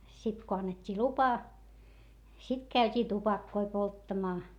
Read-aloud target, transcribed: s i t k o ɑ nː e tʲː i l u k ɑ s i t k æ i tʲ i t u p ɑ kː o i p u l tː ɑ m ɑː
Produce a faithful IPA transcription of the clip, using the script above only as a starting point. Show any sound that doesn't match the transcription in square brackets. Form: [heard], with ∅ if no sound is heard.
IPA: s i t k o ɑ nː e tʲː [iː] l u [p] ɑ s i t k æ [y] tʲ [iː] t u p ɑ kː o i p [o] l tː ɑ m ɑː